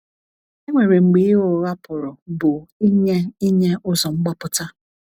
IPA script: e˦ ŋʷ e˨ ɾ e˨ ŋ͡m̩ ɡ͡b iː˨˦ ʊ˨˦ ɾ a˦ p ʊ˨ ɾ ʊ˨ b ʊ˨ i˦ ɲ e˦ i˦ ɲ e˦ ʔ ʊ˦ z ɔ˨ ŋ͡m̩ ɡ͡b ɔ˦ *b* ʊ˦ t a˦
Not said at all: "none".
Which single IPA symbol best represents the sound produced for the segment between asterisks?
p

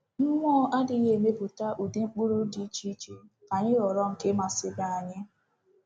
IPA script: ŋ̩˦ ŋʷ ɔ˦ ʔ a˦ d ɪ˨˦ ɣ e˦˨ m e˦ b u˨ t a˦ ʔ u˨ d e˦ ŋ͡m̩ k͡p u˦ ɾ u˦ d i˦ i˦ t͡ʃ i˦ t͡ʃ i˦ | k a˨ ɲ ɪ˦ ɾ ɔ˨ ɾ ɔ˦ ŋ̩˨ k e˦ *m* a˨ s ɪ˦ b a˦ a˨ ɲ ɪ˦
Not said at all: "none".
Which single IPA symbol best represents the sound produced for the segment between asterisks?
m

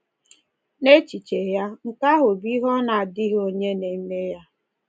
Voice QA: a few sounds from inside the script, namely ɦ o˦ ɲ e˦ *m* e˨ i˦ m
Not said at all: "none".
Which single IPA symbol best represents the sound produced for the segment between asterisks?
n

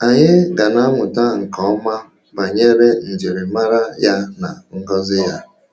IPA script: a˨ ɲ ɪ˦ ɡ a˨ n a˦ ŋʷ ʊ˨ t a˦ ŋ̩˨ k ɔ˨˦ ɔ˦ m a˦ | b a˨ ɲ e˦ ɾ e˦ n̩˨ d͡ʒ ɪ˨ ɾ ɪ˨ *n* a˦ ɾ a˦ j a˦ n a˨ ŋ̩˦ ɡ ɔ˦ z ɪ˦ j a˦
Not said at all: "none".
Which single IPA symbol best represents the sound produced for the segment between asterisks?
m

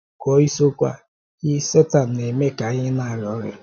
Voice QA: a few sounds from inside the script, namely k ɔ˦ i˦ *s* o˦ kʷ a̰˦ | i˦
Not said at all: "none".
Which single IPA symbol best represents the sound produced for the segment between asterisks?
s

